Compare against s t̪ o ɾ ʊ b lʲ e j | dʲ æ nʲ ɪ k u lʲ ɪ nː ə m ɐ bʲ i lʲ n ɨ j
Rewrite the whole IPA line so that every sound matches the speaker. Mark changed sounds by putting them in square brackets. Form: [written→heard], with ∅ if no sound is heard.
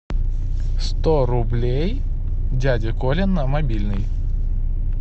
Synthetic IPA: s t̪ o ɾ ʊ b lʲ e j | dʲ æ [nʲ→dʲ] ɪ k [u→o] lʲ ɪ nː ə m ɐ bʲ i lʲ n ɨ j